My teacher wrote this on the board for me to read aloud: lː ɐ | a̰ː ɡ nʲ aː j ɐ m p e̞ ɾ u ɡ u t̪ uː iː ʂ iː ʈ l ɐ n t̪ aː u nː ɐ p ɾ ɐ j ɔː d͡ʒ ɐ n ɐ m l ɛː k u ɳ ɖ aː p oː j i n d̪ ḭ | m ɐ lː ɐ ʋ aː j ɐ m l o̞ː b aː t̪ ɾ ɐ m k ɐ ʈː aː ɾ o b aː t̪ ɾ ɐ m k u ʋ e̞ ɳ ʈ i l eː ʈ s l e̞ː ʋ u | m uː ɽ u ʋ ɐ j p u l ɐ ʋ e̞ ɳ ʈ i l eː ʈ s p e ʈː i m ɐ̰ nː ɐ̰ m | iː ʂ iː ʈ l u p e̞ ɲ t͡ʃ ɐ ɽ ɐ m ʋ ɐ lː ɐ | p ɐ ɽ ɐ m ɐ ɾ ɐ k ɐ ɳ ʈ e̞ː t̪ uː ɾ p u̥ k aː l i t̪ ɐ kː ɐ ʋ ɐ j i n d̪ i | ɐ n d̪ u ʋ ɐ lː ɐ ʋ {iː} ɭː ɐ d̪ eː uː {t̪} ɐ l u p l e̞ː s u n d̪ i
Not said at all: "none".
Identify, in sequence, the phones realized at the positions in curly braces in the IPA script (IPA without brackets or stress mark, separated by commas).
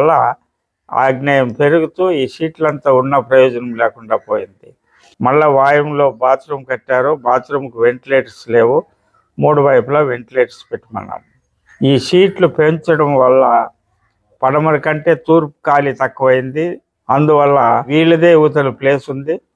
iː, t̪